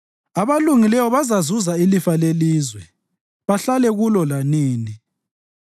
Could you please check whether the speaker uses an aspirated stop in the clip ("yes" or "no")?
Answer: no